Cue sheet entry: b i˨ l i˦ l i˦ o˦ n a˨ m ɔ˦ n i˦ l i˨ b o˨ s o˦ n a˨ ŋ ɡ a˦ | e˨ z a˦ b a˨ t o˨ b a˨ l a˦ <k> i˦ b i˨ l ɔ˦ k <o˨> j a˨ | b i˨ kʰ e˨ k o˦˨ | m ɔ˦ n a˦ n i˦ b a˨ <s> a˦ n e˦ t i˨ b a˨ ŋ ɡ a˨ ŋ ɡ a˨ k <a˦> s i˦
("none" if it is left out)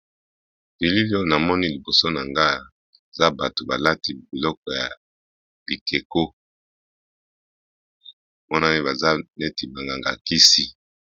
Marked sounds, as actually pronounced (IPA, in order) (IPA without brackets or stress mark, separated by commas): t, ɔ˨, z, i˦